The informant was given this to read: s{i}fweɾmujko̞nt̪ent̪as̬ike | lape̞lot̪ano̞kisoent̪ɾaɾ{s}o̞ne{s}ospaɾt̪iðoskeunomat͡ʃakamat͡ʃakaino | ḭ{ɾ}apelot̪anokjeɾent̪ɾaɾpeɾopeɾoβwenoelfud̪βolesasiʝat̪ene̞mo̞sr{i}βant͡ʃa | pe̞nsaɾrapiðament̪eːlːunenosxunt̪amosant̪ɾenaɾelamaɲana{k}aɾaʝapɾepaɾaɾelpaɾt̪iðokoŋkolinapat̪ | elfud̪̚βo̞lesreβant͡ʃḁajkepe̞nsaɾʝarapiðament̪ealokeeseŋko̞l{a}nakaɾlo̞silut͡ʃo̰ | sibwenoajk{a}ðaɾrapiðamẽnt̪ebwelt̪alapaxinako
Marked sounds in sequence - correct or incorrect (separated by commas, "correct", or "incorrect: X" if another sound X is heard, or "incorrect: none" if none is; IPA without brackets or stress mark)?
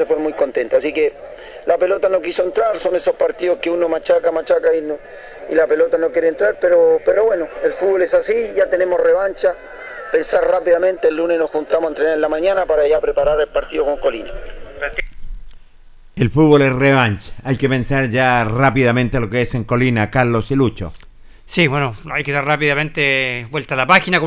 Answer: incorrect: e, correct, correct, incorrect: l, incorrect: e, incorrect: p, incorrect: i, incorrect: e